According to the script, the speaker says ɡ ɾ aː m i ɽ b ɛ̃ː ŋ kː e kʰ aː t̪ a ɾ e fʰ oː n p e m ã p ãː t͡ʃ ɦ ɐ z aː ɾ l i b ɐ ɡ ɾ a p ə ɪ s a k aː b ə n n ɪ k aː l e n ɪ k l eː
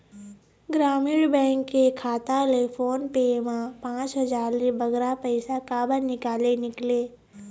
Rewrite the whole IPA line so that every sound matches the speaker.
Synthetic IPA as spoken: ɡ ɾ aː m iː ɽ b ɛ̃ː ŋ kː e kʰ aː t̪ a l e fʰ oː n p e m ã p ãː t͡ʃ ɦ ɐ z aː ɾ l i b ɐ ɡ ɾ a p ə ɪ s a k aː b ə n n ɪ k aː l e n ɪ k l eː